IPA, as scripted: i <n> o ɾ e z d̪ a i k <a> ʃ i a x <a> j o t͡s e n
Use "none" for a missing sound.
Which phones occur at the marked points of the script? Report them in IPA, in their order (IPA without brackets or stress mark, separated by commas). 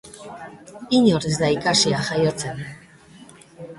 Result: ɲ, a, a